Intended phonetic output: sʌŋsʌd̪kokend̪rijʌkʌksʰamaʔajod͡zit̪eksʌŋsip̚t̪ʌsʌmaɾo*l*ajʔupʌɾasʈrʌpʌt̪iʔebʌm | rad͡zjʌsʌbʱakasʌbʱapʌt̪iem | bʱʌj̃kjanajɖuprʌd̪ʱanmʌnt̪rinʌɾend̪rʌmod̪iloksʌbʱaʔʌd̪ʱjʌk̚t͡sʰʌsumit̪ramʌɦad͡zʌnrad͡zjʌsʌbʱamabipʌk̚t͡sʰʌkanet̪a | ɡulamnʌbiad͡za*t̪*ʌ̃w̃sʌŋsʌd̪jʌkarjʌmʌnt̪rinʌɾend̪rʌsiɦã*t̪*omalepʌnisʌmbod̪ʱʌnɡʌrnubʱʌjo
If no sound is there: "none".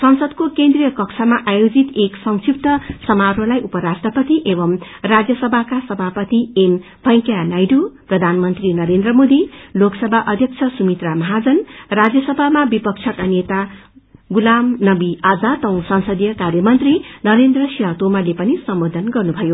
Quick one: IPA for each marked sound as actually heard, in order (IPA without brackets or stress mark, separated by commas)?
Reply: l, t̪, t̪